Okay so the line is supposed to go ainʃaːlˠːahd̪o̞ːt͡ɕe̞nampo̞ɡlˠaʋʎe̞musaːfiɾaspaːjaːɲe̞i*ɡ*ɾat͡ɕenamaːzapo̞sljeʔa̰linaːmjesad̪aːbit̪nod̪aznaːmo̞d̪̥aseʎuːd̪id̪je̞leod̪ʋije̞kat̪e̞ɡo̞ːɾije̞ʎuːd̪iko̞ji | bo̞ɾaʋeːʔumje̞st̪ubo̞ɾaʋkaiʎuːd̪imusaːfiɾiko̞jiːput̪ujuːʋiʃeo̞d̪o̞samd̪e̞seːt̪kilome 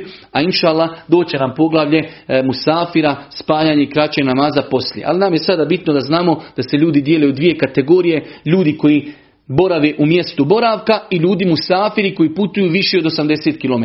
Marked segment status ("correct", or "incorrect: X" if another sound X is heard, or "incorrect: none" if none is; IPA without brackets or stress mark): incorrect: k